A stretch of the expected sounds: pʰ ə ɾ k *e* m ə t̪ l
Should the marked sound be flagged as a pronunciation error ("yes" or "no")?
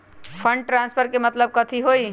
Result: no